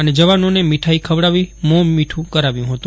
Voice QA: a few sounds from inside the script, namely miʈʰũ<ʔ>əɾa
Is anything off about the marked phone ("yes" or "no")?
yes